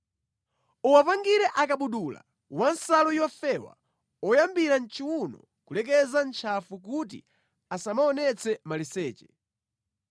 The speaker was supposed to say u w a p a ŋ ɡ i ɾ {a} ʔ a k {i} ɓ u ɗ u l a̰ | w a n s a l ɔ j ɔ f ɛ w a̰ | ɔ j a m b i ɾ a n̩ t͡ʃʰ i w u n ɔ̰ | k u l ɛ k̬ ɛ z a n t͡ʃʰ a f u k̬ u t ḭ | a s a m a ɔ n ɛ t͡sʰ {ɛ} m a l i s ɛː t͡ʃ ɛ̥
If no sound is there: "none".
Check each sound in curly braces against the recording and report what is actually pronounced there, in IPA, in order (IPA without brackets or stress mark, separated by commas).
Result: ɛ, a, ɛ